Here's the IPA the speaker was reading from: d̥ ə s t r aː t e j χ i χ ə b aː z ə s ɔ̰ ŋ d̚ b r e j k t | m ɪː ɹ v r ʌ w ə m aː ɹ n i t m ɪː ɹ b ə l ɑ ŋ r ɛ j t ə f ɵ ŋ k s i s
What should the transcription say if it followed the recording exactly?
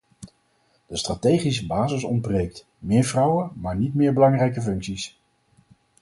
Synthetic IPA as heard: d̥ ə s t r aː t e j χ i s ə b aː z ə s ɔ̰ n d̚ b r e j k t | m ɪː ɹ v r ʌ w ə m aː ɹ n i t m ɪː ɹ b ə l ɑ ŋ r ɛ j k ə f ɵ ŋ k s i s